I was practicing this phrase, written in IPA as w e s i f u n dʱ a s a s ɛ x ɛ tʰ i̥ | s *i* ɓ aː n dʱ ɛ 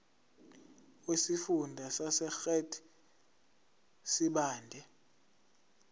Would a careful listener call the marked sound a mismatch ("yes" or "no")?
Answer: no